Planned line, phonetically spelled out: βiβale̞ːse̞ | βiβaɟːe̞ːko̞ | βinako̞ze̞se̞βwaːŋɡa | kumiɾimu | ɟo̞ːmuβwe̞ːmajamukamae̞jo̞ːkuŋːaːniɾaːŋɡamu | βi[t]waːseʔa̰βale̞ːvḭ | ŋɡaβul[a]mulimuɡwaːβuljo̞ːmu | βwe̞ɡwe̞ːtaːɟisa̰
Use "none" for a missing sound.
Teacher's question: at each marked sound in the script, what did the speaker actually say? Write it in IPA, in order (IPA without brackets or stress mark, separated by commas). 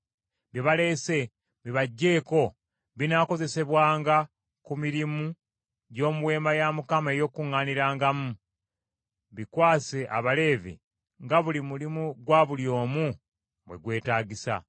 k, i